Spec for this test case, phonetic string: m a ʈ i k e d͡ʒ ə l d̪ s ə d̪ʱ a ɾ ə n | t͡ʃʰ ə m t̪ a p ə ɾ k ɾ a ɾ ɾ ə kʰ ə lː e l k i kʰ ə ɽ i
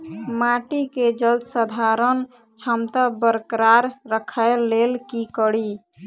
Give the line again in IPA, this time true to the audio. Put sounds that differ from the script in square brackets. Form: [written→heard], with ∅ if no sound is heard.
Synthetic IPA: m a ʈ i k e d͡ʒ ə l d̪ s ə d̪ʱ a ɾ ə n | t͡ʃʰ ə m t̪ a [p→b] ə ɾ k ɾ a ɾ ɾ ə kʰ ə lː e l k i [kʰ→k] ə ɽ i